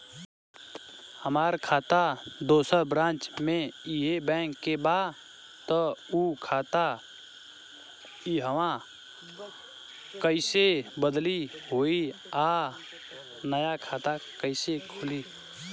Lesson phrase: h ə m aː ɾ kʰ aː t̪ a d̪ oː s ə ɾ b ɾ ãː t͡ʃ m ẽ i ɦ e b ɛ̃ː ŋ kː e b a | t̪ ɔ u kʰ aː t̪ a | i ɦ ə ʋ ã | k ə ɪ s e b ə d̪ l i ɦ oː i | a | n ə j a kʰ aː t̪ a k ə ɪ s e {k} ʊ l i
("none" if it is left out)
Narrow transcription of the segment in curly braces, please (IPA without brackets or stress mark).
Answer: kʰ